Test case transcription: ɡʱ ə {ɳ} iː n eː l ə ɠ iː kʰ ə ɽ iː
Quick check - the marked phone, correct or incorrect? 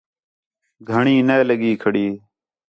correct